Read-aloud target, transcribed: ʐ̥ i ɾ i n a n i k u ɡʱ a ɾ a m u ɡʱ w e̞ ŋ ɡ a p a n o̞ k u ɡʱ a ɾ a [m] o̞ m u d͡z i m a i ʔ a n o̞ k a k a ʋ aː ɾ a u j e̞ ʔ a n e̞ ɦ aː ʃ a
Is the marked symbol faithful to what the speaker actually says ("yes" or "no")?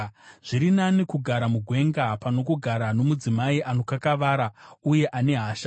no